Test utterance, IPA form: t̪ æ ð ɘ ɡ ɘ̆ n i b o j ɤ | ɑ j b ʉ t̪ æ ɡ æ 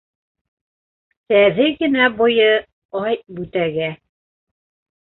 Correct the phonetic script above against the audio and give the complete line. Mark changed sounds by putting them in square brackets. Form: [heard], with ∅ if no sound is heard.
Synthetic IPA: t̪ æ ð ɘ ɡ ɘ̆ n [æ] b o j ɤ | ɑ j b ʉ t̪ æ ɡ æ